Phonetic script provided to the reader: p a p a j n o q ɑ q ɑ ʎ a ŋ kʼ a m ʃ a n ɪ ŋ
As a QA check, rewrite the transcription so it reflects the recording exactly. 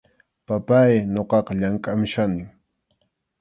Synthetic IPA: p a p a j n o q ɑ q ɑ ʎ a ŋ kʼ a m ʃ a n ɪ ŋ